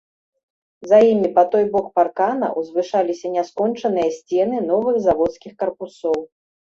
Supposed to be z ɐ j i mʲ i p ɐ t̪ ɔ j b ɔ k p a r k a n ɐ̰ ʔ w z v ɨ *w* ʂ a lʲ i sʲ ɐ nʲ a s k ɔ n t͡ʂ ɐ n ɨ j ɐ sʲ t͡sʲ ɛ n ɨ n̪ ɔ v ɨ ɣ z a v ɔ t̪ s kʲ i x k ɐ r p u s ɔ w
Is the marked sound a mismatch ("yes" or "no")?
yes